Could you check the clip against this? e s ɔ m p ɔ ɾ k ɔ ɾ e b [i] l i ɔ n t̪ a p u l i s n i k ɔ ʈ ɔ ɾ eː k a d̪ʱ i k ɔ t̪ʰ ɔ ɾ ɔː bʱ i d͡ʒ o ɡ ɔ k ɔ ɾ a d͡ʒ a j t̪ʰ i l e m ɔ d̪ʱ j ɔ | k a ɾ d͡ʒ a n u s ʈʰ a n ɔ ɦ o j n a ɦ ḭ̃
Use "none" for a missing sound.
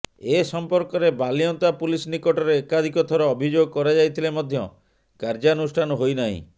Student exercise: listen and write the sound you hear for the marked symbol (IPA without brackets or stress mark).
a